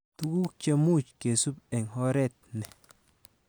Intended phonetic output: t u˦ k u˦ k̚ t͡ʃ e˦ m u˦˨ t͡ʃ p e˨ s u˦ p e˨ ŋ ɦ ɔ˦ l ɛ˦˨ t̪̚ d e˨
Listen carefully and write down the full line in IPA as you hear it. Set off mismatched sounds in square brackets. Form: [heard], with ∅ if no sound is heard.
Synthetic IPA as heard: t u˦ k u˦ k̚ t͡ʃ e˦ m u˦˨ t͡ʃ [k] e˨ s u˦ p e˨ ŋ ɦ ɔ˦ [ɾ] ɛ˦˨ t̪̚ [n] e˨